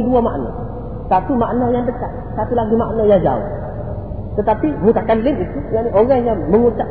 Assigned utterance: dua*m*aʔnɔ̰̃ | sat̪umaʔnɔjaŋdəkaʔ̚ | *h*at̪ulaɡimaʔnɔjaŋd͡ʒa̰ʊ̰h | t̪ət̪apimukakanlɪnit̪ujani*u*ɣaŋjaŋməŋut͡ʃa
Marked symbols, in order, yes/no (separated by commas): yes, no, no